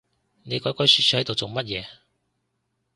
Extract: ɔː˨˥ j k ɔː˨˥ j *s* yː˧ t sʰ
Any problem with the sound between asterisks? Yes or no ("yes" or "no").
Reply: no